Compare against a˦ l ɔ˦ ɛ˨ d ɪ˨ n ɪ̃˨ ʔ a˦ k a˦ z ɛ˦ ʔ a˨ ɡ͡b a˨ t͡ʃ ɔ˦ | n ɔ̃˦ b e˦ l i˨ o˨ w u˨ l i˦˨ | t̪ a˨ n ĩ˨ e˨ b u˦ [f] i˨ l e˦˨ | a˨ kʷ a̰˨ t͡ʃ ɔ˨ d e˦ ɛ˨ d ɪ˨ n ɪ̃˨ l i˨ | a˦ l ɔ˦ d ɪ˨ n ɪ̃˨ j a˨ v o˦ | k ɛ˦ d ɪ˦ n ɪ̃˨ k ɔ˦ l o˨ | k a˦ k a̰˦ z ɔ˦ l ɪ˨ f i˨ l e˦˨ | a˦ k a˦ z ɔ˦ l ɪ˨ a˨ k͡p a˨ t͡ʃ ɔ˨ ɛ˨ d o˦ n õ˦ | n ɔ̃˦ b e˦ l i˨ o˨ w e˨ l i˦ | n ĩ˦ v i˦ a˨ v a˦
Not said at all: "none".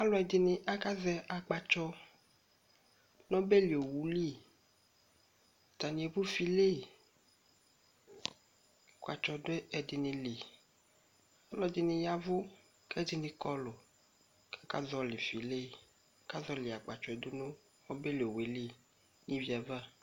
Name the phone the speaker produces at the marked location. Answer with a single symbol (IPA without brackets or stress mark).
f